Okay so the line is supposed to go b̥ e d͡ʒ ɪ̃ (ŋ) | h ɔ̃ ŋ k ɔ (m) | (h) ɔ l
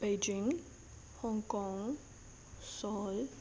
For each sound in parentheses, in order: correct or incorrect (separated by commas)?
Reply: correct, incorrect, incorrect